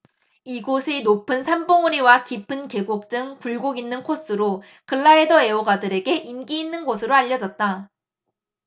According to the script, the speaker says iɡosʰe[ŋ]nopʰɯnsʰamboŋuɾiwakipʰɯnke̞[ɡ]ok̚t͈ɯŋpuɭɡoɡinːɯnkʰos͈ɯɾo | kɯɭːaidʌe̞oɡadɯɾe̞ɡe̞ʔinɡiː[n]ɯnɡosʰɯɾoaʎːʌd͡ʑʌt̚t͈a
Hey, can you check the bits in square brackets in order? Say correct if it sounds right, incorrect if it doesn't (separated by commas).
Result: incorrect, correct, incorrect